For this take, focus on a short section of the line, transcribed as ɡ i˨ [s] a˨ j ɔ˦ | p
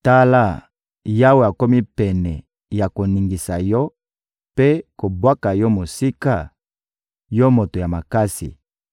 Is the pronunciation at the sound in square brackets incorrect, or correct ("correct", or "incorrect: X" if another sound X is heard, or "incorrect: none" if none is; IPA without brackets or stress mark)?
correct